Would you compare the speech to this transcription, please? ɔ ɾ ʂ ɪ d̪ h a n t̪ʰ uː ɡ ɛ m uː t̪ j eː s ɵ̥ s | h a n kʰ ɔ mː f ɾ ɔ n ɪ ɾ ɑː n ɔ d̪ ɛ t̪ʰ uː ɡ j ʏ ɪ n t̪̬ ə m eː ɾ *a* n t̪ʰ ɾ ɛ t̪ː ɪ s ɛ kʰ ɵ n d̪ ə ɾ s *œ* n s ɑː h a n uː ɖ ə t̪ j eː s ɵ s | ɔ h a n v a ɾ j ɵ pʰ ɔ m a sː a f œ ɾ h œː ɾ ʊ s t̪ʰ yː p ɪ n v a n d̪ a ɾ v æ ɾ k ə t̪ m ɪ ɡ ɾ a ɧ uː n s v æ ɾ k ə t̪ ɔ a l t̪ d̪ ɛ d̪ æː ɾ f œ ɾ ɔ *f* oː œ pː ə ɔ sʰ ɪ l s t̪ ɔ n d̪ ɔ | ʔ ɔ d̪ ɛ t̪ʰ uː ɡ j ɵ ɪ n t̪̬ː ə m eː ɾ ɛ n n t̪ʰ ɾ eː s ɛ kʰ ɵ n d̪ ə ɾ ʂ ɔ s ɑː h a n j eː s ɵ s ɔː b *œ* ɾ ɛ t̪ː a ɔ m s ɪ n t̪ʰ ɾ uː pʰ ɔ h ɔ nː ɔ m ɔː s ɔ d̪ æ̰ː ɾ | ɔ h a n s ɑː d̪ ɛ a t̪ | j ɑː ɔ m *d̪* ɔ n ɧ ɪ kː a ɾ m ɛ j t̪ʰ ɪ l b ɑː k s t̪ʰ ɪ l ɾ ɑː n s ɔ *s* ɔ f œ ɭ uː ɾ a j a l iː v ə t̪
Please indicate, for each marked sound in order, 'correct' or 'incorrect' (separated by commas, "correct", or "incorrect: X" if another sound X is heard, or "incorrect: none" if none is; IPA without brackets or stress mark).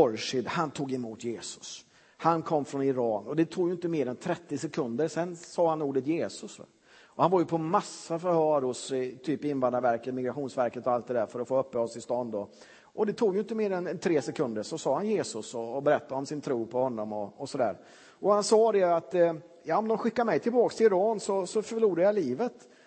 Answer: incorrect: ɛ, incorrect: ɛ, correct, incorrect: ɛ, correct, correct